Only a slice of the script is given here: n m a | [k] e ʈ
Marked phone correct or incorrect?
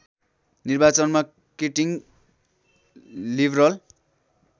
correct